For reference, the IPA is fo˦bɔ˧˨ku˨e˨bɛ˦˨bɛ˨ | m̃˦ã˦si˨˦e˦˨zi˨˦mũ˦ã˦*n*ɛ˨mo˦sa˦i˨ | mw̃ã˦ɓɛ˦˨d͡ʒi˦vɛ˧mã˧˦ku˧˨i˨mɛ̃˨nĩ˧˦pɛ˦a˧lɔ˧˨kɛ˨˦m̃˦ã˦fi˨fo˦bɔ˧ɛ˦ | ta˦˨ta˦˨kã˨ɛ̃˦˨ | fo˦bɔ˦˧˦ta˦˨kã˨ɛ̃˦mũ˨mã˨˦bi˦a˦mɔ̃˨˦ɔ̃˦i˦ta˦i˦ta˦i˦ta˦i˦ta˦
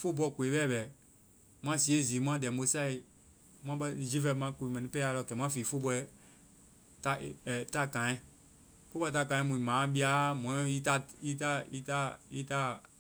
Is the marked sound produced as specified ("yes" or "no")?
no